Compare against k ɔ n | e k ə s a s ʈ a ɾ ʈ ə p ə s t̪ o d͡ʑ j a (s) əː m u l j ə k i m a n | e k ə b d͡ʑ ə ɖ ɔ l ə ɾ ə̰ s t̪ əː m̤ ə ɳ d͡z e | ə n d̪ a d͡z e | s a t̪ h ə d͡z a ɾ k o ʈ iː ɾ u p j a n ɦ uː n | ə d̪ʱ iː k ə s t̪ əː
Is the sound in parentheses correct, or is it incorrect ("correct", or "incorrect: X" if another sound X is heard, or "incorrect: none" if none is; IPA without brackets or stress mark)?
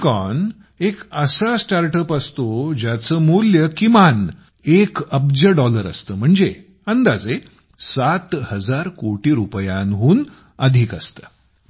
incorrect: t͡s